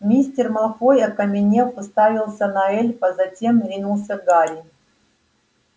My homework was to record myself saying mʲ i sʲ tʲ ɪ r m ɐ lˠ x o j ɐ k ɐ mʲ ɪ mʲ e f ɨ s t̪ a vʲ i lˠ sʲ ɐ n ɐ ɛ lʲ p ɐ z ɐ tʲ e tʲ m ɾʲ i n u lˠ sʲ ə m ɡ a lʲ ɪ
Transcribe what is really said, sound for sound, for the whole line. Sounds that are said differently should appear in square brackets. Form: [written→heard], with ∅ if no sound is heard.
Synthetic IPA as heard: mʲ i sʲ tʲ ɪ r m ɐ lˠ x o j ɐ k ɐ mʲ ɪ [mʲ→nʲ] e f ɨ s t̪ a vʲ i lˠ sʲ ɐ n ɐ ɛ lʲ p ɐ z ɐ tʲ e [tʲ→∅] m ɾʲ i n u lˠ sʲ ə [m→∅] ɡ a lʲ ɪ